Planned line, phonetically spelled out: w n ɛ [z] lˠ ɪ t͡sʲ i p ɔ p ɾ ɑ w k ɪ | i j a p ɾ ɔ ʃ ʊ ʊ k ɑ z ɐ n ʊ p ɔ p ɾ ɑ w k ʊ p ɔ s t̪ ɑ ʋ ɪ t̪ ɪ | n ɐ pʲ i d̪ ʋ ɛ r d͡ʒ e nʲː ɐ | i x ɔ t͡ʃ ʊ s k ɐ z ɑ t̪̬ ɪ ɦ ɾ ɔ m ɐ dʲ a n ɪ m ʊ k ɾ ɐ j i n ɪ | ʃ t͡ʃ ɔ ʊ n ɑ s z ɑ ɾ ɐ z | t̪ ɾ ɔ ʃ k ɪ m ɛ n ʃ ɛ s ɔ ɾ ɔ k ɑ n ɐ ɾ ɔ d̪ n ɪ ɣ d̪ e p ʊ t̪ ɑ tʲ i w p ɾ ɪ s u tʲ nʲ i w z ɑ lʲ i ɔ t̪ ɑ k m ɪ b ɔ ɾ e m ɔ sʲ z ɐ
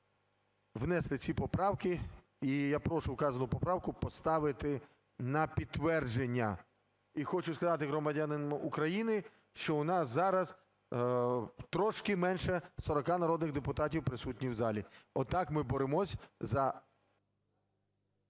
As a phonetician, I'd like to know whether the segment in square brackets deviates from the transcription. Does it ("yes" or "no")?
yes